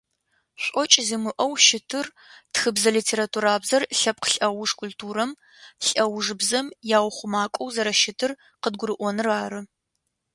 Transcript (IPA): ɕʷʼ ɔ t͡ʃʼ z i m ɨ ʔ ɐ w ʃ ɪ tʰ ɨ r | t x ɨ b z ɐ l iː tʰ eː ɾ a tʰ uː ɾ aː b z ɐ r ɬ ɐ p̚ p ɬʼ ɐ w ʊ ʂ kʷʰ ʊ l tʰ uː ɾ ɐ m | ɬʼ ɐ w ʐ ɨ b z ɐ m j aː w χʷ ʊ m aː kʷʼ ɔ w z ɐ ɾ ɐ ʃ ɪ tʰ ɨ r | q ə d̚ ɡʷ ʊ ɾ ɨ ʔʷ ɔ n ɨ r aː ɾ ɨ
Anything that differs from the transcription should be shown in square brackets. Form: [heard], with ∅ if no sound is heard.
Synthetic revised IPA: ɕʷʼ ɔ t͡ʃʼ z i m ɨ ʔ ɐ w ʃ ɪ tʰ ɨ r | t x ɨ b z ɐ l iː tʰ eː ɾ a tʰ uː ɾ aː b z ɐ r ɬ ɐ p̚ [q] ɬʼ ɐ w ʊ ʂ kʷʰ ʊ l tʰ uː ɾ ɐ m | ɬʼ ɐ w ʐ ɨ b z ɐ m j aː w χʷ ʊ m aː kʷʼ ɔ w z ɐ ɾ ɐ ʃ ɪ tʰ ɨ r | q ə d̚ ɡʷ ʊ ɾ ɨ ʔʷ ɔ n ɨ r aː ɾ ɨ